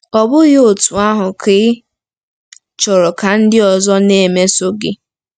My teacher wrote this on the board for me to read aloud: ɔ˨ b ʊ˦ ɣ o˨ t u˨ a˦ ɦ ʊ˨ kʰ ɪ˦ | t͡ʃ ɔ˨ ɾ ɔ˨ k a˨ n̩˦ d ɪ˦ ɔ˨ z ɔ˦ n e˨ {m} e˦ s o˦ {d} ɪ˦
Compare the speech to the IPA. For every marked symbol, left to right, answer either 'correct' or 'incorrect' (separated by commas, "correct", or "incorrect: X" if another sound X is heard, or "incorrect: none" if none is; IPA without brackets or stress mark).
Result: correct, incorrect: ɡ